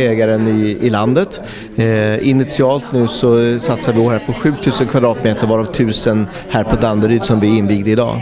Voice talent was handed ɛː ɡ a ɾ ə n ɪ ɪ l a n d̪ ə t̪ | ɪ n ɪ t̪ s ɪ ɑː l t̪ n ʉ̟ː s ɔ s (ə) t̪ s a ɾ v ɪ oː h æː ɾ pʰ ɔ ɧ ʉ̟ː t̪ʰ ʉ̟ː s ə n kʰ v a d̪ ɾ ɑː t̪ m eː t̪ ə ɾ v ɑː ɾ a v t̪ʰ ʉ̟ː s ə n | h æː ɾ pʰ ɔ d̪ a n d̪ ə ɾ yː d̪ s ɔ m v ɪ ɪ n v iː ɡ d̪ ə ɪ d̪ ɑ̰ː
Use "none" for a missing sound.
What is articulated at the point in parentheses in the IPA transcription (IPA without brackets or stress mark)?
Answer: a